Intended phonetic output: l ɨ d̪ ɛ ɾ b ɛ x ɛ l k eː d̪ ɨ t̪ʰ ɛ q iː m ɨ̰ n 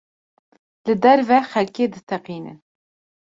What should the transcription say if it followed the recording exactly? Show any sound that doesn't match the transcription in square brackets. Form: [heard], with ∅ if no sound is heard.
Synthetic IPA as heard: l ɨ d̪ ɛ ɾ [v] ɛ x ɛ l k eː d̪ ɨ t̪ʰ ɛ q iː [n] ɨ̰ n